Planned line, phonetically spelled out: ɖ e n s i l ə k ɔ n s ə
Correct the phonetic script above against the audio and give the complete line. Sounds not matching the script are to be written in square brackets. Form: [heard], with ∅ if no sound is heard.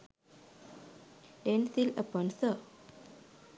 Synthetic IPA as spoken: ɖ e n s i l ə [p] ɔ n s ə